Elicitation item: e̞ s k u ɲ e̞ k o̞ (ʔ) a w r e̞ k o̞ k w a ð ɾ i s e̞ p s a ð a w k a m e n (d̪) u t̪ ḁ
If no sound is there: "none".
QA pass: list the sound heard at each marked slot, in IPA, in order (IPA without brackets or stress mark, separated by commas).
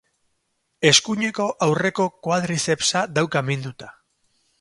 ʔ, d̪